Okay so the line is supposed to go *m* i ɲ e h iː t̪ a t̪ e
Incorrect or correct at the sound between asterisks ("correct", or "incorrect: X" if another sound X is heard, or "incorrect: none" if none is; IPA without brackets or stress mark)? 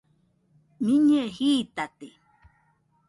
correct